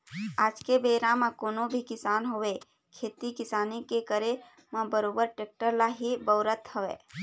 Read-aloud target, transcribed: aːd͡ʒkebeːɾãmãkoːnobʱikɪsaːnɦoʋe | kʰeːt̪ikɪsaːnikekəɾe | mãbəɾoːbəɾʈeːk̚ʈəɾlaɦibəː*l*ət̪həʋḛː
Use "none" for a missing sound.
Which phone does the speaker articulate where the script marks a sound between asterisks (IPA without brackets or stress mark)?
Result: ɾ